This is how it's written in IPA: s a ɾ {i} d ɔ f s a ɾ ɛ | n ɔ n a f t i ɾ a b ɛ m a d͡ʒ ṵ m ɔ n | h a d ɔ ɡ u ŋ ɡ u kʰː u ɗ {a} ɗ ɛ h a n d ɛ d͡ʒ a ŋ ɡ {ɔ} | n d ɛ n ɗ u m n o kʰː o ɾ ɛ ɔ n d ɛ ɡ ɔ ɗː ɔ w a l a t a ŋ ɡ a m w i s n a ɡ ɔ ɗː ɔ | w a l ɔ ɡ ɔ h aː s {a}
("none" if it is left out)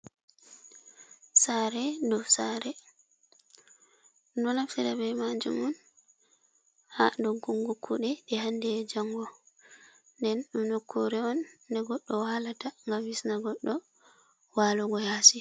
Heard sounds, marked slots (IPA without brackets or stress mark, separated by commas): ɛ, ɛ, ɔ, i